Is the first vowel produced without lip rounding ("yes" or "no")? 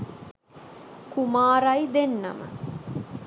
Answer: no